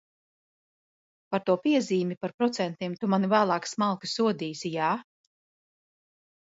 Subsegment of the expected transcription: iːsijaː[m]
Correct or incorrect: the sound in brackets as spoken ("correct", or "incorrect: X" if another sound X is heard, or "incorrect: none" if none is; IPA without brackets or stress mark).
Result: incorrect: none